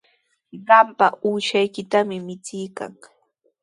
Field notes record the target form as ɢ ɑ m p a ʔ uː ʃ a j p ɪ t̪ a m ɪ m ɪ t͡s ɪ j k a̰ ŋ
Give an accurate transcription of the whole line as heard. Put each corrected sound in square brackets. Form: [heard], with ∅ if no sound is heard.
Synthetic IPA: ɢ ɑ m p a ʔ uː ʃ a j [k] ɪ t̪ a m ɪ m ɪ t͡s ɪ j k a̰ ŋ